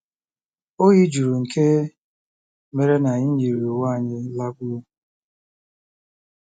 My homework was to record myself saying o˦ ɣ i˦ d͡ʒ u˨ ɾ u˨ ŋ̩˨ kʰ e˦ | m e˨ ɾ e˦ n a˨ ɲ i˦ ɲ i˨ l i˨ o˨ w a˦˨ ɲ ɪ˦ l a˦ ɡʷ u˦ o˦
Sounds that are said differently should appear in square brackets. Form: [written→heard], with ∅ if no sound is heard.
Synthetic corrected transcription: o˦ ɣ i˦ d͡ʒ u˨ ɾ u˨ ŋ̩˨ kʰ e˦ | m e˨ ɾ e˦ n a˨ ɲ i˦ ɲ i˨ [l→ɾ] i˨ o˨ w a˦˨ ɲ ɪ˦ l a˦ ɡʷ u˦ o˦